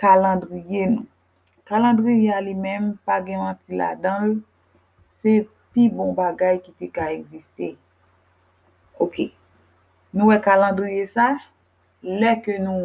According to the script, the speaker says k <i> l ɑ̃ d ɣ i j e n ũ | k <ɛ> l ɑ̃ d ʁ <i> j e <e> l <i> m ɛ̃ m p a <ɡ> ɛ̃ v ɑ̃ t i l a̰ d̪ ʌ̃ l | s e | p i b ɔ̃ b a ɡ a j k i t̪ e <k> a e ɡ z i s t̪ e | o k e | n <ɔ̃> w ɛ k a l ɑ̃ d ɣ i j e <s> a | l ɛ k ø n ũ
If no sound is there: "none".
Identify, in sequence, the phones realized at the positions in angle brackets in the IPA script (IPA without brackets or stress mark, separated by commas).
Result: a, a, i, a, i, ɡ, k, ũ, s